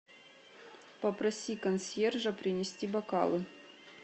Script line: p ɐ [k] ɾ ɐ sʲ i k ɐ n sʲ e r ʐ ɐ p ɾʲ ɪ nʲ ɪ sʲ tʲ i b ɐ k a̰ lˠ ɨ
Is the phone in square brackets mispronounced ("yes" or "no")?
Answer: yes